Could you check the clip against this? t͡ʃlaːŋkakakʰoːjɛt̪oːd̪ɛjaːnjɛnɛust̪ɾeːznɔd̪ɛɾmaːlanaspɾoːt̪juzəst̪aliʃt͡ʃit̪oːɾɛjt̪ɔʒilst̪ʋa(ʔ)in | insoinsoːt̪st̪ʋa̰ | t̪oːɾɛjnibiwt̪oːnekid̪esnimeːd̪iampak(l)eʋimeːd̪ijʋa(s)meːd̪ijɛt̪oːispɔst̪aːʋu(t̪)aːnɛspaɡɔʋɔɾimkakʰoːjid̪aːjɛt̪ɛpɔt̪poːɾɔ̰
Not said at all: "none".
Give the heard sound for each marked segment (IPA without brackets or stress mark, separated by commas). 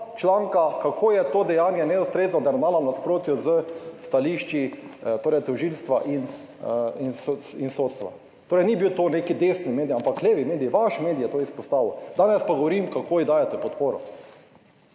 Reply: ʔ, l, ʃ, d̪